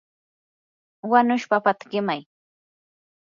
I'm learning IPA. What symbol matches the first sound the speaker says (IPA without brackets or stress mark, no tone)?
w